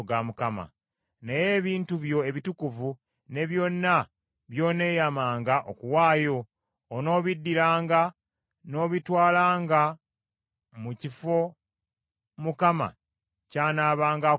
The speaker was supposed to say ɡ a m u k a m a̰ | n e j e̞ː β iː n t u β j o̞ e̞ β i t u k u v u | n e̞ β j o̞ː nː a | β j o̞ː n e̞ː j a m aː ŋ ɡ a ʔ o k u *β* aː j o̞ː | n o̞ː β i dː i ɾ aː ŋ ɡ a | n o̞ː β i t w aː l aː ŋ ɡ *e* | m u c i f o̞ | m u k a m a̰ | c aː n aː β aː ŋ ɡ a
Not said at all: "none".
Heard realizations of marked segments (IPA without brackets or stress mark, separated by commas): w, a